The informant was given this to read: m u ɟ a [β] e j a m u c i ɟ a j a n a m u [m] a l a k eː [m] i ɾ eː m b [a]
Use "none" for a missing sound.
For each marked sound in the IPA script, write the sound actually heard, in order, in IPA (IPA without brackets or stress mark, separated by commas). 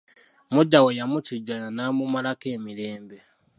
w, m, m, e